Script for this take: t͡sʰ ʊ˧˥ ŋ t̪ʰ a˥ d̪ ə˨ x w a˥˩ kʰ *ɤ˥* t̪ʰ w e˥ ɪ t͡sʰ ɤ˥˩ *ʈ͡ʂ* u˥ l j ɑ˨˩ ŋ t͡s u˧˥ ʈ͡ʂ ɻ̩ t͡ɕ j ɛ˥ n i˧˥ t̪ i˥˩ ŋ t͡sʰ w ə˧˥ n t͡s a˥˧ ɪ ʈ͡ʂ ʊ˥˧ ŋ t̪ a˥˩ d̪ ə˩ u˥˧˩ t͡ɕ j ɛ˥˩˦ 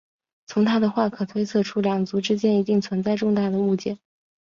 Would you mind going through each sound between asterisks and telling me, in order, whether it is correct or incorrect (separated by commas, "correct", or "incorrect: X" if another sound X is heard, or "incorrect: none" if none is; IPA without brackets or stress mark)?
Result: incorrect: ɤ˨˩, incorrect: ʈ͡ʂʰ